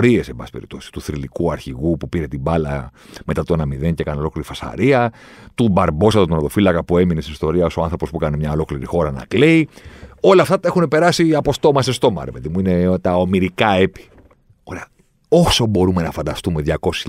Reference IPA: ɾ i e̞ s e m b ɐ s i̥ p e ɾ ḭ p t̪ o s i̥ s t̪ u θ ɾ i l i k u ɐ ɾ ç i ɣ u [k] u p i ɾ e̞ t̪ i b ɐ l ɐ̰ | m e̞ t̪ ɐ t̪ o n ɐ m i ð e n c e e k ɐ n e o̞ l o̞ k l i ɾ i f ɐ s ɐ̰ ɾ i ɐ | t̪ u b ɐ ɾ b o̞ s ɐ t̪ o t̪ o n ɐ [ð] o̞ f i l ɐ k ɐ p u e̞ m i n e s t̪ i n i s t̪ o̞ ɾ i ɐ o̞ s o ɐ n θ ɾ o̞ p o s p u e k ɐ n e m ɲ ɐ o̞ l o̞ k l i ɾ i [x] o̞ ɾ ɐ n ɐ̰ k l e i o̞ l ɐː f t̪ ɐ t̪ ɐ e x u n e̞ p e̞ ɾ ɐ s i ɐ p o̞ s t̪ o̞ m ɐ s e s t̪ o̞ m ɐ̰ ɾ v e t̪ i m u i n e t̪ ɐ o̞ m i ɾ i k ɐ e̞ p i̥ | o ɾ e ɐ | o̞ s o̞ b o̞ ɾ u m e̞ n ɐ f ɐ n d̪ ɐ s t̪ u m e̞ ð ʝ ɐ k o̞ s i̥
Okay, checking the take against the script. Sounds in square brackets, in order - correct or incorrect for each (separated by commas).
incorrect, correct, correct